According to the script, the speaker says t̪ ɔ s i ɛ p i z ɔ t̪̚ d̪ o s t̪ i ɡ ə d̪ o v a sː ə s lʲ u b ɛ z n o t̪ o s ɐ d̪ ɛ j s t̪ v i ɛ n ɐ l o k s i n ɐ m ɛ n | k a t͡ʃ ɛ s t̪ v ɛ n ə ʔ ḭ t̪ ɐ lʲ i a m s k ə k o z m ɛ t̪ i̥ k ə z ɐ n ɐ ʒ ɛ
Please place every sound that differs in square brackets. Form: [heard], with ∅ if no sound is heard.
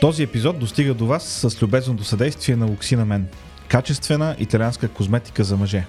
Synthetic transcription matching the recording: t̪ ɔ [z] i ɛ p i z ɔ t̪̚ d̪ o s t̪ i ɡ ə d̪ o v a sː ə s lʲ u b ɛ z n o t̪ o s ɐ d̪ ɛ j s t̪ v i ɛ n ɐ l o k s i n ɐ m ɛ n | k a t͡ʃ ɛ s t̪ v ɛ n ə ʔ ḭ t̪ ɐ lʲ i a [n] s k ə k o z m ɛ t̪ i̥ k ə z ɐ [m] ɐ ʒ ɛ